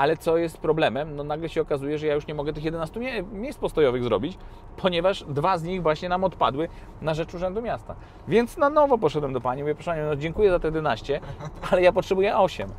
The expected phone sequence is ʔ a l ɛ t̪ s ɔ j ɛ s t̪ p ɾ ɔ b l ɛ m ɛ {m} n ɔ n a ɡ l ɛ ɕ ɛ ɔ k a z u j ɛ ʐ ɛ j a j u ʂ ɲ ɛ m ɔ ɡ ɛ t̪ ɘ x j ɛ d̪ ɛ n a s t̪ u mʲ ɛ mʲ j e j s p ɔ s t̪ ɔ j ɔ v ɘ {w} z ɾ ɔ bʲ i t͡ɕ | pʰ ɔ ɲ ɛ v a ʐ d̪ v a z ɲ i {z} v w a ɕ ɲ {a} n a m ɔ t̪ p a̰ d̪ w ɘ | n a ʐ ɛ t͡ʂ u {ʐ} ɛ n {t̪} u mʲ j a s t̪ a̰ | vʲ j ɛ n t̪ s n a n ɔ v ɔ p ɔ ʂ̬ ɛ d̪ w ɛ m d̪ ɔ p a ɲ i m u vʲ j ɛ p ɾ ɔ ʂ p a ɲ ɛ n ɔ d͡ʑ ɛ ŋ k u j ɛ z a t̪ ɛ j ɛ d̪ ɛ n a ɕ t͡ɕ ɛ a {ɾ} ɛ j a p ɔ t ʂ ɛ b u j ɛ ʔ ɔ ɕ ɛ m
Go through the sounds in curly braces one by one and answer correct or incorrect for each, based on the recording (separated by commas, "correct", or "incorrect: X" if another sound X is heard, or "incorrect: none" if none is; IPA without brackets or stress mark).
correct, incorrect: ɣ, incorrect: ɣ, incorrect: ɛ, correct, incorrect: d̪, incorrect: l